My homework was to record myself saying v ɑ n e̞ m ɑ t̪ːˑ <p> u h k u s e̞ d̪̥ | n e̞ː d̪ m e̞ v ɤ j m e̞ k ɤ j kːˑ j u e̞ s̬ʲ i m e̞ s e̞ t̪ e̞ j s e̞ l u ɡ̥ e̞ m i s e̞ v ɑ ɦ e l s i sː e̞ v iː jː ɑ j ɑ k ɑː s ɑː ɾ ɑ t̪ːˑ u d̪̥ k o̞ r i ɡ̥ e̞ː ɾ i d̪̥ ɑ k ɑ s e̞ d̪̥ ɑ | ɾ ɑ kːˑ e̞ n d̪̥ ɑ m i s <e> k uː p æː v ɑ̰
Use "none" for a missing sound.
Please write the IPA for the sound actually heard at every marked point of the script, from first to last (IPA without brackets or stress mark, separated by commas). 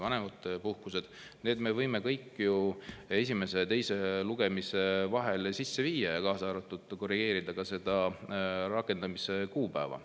p, e